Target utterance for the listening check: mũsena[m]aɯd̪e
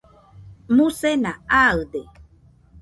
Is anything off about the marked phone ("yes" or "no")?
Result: yes